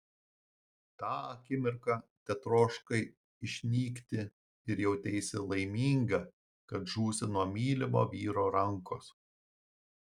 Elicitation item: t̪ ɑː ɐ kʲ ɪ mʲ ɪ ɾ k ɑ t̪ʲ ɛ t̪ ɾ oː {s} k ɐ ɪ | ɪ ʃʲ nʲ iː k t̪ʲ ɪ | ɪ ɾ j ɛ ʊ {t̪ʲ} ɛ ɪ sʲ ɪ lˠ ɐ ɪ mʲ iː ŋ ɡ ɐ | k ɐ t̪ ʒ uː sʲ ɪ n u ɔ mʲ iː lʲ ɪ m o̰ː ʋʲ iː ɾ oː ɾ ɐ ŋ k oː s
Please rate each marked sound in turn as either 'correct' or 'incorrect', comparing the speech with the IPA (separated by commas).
incorrect, correct